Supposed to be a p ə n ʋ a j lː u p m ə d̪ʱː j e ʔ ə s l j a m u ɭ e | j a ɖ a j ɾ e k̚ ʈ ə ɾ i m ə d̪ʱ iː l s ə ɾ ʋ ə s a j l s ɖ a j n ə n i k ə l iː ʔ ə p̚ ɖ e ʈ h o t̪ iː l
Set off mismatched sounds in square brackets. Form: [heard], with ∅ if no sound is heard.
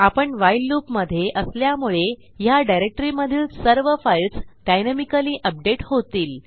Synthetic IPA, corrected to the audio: a p ə [ɳ] ʋ a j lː u p m ə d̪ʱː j e ʔ ə s l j a m u ɭ e | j a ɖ a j ɾ e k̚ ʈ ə ɾ i m ə d̪ʱ iː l s ə ɾ ʋ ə [f] a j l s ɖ a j n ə [m] i k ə l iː ʔ ə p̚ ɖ e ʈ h o t̪ iː l